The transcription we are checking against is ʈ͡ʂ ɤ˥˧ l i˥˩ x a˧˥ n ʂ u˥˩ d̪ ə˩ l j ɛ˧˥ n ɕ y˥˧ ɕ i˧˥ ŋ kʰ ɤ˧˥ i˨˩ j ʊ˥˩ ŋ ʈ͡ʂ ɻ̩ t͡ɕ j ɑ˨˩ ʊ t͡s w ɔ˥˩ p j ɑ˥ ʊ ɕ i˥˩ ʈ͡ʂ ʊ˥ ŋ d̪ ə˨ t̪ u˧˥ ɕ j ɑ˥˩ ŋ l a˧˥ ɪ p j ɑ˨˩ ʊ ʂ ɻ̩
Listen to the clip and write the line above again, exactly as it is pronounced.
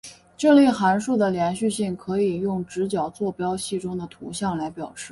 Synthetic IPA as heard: ʈ͡ʂ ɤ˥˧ l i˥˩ x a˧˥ n ʂ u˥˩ d̪ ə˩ l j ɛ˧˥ n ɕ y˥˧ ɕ i˥˩ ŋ kʰ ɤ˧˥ i˨˩ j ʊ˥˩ ŋ ʈ͡ʂ ɻ̩ t͡ɕ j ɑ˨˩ ʊ t͡s w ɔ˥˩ p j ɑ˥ ʊ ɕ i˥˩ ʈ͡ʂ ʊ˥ ŋ d̪ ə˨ t̪ʰ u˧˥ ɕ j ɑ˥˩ ŋ l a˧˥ ɪ p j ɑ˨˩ ʊ ʂ ɻ̩